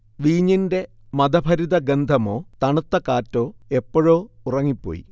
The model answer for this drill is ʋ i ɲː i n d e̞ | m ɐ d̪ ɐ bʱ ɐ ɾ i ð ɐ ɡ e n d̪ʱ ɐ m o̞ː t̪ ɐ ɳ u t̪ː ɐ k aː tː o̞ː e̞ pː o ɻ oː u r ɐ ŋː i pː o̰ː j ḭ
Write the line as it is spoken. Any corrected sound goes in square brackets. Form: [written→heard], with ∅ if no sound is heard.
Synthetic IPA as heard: ʋ [i→iː] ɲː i n d e̞ | m ɐ d̪ ɐ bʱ ɐ ɾ i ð ɐ ɡ e n d̪ʱ ɐ m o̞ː t̪ ɐ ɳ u t̪ː ɐ k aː tː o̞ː e̞ pː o ɻ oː u r ɐ ŋː i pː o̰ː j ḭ